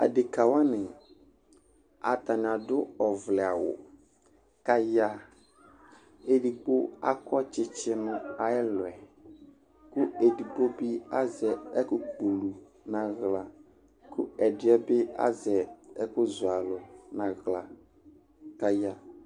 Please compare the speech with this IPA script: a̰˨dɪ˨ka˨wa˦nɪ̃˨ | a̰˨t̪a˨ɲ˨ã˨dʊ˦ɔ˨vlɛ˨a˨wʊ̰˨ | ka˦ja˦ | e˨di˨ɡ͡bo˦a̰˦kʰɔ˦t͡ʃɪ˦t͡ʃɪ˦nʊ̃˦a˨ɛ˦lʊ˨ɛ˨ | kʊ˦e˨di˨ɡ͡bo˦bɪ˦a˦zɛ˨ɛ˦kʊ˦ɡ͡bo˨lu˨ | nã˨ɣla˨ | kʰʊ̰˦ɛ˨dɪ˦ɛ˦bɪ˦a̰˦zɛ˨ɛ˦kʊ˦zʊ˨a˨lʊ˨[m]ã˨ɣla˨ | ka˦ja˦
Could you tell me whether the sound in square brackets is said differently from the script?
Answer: yes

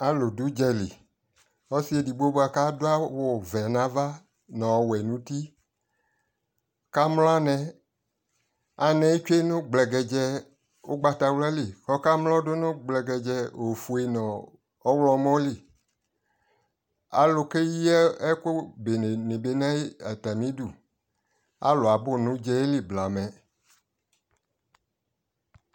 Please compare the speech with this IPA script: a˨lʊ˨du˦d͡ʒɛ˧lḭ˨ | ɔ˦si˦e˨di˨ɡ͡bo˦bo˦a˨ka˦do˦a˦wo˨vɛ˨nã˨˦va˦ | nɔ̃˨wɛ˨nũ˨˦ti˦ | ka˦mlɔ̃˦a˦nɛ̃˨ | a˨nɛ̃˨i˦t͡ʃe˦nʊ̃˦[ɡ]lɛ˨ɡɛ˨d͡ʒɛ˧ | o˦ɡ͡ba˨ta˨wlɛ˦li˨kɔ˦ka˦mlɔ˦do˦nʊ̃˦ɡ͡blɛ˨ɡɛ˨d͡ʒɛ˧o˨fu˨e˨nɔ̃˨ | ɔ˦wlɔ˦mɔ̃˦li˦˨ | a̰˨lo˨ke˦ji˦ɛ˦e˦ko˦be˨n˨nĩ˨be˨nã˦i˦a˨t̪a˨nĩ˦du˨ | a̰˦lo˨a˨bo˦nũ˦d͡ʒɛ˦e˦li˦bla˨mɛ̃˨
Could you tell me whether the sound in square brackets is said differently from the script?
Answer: yes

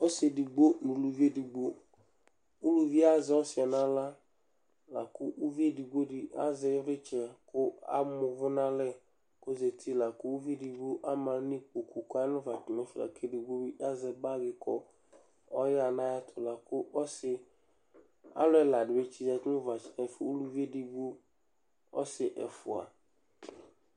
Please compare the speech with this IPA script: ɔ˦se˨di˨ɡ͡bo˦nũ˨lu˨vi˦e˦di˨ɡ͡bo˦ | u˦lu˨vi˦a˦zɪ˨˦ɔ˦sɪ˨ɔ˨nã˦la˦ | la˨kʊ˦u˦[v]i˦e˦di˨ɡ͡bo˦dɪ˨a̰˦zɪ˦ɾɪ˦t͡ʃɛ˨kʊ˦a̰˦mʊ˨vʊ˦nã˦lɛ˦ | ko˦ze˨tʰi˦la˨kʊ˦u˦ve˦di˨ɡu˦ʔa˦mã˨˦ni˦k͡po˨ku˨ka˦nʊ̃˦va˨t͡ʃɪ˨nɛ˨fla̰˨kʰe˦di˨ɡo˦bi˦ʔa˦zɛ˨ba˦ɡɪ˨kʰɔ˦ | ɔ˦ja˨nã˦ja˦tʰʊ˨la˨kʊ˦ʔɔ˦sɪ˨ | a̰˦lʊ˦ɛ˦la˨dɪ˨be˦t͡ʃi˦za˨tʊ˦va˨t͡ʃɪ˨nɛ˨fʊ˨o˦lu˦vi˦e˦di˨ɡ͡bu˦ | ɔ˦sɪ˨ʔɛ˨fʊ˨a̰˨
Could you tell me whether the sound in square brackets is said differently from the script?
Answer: no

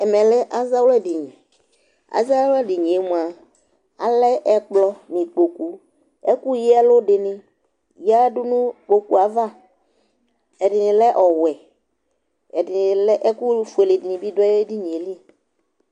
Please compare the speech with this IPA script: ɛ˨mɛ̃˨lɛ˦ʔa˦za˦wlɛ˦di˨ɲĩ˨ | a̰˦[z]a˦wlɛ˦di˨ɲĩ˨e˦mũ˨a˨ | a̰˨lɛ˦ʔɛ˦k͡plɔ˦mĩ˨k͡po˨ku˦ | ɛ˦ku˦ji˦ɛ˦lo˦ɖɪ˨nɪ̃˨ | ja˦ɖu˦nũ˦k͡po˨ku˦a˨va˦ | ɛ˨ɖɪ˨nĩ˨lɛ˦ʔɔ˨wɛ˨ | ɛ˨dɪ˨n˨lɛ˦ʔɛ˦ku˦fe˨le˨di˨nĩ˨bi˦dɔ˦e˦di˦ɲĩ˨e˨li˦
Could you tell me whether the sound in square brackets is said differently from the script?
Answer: no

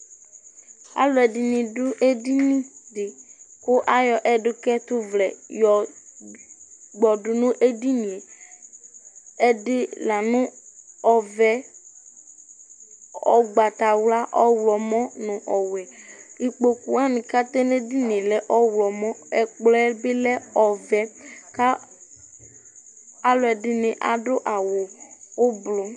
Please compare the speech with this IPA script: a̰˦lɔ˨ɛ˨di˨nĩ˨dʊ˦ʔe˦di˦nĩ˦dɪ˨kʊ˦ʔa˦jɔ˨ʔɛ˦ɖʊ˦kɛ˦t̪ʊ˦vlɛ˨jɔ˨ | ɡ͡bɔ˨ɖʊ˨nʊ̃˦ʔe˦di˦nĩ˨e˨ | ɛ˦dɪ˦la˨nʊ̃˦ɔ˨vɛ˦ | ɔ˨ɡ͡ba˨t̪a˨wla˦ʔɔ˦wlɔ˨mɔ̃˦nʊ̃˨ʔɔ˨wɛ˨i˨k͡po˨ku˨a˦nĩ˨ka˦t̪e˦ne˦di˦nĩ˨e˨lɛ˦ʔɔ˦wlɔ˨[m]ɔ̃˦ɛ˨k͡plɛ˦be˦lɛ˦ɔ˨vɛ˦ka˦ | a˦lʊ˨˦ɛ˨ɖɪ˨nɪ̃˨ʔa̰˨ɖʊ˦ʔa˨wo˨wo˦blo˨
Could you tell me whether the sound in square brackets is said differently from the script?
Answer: no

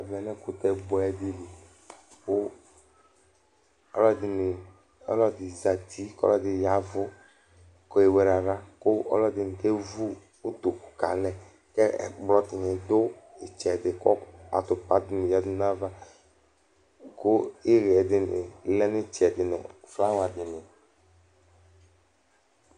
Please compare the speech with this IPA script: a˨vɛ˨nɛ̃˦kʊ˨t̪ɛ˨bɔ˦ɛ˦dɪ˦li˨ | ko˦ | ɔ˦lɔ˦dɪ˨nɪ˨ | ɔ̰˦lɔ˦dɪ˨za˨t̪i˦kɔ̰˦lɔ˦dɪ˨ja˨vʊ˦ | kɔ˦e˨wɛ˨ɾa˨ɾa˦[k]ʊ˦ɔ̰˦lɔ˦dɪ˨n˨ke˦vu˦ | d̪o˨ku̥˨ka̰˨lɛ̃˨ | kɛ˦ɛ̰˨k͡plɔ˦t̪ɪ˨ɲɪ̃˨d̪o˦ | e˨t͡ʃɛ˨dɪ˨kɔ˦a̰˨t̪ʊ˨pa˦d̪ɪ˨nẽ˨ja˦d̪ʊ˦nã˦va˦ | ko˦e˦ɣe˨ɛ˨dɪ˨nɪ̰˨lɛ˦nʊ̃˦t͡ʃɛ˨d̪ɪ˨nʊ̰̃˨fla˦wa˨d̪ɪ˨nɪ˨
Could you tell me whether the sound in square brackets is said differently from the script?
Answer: no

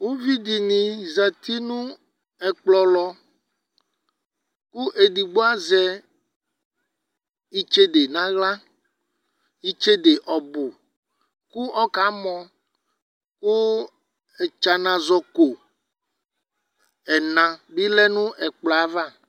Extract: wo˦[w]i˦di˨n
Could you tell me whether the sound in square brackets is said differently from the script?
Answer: yes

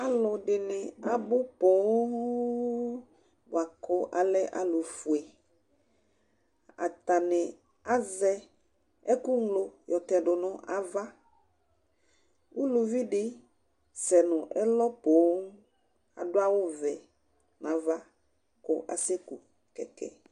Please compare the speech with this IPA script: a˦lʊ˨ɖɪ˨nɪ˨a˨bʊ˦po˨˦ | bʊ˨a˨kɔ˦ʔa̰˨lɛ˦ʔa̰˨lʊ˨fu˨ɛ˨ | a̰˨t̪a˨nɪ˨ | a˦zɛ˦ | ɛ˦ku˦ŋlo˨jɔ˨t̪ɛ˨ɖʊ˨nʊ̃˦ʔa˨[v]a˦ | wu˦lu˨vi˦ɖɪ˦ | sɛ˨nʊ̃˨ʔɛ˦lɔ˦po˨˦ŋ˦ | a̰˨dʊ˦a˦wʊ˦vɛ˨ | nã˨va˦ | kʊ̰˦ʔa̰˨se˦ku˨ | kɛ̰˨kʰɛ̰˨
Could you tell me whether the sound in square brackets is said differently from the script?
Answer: no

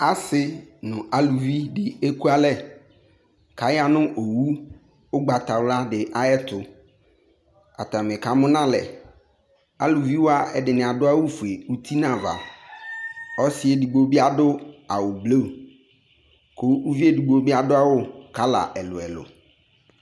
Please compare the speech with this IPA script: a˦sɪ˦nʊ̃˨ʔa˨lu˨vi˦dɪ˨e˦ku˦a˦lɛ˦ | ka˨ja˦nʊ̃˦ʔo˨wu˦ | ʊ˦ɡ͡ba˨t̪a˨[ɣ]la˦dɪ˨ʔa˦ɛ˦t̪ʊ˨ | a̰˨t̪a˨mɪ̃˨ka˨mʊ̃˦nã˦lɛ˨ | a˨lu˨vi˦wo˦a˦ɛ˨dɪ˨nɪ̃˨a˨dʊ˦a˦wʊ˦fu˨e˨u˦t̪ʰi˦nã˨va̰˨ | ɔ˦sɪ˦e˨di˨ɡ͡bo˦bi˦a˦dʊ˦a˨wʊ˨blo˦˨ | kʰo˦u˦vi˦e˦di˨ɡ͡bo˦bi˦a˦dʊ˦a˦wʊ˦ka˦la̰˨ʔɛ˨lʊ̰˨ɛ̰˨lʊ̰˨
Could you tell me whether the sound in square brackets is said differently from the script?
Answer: yes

